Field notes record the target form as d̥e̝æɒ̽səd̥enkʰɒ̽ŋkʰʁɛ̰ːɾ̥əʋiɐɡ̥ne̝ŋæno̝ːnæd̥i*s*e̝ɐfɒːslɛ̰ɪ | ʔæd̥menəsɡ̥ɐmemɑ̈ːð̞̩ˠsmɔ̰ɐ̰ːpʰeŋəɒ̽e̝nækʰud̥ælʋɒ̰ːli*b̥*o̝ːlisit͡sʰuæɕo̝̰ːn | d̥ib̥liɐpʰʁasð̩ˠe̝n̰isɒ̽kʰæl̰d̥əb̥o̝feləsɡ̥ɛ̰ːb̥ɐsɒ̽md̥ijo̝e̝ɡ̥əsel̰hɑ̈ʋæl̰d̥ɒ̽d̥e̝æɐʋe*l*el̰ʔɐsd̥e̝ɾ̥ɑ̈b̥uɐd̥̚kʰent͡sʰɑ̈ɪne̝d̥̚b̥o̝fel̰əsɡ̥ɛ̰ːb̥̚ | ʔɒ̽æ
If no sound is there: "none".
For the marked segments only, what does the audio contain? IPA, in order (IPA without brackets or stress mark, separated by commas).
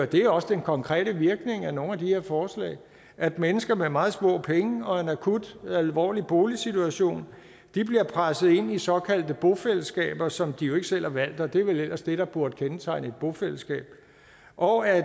h, b̥, l